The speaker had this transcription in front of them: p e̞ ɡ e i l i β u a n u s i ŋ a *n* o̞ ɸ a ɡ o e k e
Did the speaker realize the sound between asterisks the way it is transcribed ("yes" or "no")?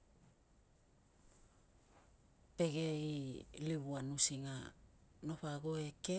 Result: yes